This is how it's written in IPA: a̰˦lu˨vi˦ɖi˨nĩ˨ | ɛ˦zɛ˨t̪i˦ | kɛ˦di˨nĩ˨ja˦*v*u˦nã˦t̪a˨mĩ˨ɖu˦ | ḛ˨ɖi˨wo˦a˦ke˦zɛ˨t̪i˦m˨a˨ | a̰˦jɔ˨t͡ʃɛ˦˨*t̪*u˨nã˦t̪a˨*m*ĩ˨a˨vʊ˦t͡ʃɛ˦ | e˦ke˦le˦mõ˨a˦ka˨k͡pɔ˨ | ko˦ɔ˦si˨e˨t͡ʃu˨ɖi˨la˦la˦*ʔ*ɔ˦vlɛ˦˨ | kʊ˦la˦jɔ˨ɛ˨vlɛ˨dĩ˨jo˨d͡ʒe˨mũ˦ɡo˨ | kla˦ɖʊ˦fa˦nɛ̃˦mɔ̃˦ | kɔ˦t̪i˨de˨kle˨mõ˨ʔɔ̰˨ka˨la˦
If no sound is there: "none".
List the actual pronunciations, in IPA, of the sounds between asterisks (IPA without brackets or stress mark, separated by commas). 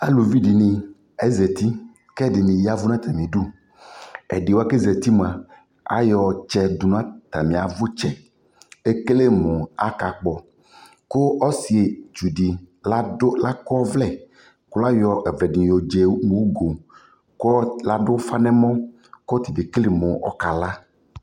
v, d̪, m, k